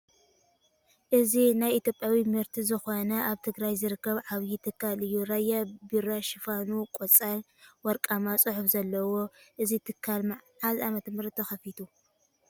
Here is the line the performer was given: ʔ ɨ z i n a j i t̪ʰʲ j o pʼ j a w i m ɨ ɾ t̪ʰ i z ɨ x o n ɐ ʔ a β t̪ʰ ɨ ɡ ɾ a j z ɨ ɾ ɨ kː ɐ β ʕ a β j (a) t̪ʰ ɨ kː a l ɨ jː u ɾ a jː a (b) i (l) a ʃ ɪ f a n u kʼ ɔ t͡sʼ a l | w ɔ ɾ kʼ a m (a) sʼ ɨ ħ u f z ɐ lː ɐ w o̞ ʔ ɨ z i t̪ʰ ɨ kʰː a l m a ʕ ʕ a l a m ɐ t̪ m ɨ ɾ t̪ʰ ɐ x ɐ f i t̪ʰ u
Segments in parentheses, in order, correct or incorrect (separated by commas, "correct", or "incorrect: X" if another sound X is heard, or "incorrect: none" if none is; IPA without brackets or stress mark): incorrect: i, correct, incorrect: ɾ, correct